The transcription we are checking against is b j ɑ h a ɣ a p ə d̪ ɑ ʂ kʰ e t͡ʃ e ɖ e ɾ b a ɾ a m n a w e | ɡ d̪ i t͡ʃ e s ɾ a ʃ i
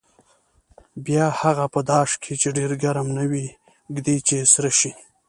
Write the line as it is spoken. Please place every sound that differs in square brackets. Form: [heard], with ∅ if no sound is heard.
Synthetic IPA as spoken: b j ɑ h a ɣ a p ə d̪ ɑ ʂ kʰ e t͡ʃ e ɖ e ɾ [ɡ] a ɾ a m n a w [i] | ɡ d̪ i t͡ʃ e s ɾ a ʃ i